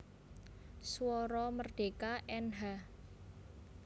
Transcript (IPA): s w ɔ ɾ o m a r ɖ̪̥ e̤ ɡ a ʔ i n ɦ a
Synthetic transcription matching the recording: s w ɔ ɾ ɔ m ə r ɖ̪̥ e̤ k a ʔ ɛ n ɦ a